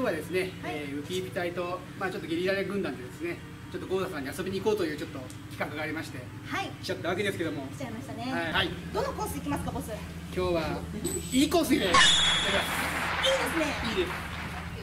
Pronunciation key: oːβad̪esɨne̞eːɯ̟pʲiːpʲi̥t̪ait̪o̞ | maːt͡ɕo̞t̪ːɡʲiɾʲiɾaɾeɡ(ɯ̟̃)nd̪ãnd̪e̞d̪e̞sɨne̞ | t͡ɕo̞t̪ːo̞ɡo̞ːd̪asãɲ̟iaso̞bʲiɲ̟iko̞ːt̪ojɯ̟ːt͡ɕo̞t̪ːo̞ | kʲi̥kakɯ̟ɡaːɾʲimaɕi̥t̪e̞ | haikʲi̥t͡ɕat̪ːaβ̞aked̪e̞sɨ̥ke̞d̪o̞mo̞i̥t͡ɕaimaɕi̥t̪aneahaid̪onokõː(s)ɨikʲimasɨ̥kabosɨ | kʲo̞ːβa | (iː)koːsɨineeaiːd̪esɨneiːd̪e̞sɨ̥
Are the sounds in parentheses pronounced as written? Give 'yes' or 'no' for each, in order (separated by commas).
yes, yes, yes